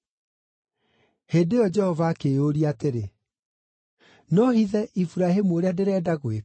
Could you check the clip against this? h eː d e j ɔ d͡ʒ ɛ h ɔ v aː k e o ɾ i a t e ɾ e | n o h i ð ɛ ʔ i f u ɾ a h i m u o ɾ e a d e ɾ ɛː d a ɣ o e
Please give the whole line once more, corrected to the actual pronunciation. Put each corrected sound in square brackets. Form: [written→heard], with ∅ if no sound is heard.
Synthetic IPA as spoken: h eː d e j ɔ d͡ʒ ɛ h ɔ v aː k e o ɾ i a t e ɾ e | n [o→ɔ] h i ð ɛ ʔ i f u ɾ a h [i→e] m u o ɾ e a d e ɾ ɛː d a ɣ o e